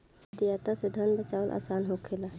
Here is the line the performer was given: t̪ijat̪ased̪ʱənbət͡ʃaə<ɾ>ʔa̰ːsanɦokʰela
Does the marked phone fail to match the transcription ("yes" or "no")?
yes